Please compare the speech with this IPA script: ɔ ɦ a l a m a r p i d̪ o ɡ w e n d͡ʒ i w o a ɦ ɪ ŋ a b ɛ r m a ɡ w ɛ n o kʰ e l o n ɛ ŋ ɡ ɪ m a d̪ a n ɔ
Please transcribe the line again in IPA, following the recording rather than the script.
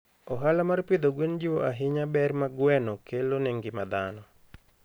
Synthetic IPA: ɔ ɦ a l a m a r p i d̪ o ɡ w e n d͡ʒ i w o a ɦ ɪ ɲ a b ɛ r m a ɡ w ɛ n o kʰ e l o n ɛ ŋ ɡ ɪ m a d̪ a n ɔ